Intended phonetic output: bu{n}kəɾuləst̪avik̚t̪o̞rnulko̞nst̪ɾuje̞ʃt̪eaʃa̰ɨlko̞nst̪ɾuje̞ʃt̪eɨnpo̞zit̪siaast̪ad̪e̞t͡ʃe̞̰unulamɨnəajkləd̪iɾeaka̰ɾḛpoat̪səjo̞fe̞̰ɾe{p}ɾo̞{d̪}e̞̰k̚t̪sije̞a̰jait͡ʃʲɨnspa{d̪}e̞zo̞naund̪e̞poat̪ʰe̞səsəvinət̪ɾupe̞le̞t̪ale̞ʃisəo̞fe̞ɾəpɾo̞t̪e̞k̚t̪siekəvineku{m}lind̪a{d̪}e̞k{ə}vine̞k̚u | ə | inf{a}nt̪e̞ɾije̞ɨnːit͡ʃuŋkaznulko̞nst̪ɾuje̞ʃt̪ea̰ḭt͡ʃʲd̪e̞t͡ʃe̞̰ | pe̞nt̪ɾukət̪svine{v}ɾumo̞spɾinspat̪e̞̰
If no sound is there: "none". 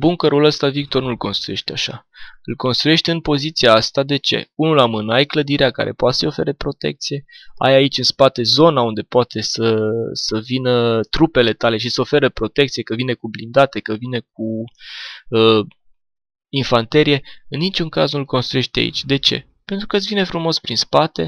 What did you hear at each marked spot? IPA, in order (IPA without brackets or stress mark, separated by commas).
ŋ, p, t̪, t̪, b, t̪, ə, a, f